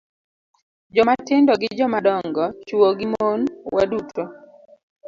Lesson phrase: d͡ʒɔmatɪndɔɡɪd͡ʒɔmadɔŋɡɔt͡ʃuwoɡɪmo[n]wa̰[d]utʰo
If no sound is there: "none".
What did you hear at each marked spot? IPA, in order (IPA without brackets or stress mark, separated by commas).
n, d